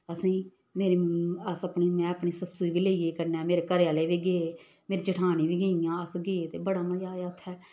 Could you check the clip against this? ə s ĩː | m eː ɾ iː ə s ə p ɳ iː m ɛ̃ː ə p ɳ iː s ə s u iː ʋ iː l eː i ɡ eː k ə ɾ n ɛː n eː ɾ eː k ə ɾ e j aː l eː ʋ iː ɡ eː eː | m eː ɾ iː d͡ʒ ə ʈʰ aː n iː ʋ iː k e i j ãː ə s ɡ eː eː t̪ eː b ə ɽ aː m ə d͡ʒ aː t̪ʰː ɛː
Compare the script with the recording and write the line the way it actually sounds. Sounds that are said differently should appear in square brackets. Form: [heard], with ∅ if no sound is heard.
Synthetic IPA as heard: ə s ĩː | m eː ɾ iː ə s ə p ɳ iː m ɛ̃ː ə p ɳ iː s ə s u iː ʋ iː l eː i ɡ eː k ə ɾ n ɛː [m] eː ɾ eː k ə ɾ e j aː l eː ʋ iː ɡ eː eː | m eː ɾ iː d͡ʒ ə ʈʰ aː n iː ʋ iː [ɡ] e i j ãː ə s ɡ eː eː t̪ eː b ə ɽ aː m ə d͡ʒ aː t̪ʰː ɛː